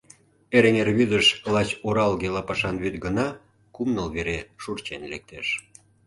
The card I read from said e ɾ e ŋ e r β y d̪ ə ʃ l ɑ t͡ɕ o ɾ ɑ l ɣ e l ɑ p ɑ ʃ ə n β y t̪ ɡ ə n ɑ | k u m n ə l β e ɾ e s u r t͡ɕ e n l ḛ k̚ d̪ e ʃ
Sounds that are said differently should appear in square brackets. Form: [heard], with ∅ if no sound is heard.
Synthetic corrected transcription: e ɾ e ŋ e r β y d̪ ə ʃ l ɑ t͡ɕ o ɾ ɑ l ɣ e l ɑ p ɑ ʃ [ɑ] n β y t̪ ɡ ə n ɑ | k u m n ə l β e ɾ e [ʃ] u r t͡ɕ e n l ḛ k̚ [t̪] e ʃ